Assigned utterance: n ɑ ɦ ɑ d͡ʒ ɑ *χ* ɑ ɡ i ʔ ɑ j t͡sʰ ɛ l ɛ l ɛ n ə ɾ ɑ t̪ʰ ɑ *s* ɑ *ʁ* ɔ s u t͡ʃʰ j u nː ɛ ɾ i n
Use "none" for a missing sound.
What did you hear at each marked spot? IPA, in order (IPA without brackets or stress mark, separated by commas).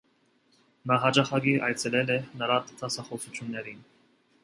χ, s, χ